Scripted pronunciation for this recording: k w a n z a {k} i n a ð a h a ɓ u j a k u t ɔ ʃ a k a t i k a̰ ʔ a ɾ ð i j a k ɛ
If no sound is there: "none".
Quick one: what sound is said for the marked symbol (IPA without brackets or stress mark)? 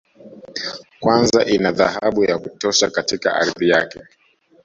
ʔ